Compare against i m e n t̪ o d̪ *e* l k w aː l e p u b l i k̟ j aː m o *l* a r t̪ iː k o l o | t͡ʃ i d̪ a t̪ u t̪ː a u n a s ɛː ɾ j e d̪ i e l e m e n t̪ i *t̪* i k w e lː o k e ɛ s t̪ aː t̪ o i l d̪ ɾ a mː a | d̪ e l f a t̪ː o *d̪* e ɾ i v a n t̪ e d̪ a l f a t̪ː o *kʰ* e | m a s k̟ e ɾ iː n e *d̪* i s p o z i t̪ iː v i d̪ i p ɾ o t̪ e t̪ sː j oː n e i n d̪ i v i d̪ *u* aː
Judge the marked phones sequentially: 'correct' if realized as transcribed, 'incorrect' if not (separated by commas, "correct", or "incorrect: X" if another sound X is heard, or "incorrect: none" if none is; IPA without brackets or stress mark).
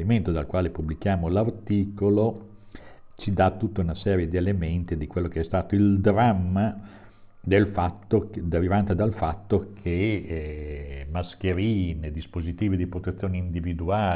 incorrect: a, correct, incorrect: d̪, correct, correct, correct, correct